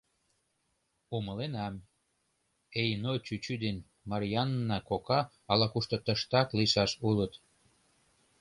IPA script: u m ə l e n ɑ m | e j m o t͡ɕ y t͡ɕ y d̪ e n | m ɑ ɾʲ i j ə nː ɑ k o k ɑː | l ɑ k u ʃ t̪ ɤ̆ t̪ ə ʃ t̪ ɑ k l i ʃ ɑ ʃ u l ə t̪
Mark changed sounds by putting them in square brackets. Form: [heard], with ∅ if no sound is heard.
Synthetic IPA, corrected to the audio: u m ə l e n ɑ m | e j [n] o t͡ɕ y t͡ɕ y d̪ e n | m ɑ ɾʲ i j [ɑ] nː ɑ k o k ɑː | l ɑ k u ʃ t̪ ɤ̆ t̪ ə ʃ t̪ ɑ k l i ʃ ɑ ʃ u l ə t̪